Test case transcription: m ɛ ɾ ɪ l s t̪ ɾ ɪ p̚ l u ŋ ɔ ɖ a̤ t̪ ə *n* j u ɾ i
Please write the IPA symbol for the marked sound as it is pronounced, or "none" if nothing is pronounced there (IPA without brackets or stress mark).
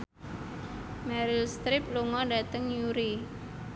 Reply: ŋ